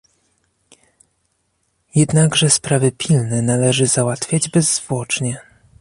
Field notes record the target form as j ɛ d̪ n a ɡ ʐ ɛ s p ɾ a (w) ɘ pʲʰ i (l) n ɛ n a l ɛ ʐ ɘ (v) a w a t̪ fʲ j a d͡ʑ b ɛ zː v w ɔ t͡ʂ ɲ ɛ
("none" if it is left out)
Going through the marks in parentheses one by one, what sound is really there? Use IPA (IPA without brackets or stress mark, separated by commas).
v, l, z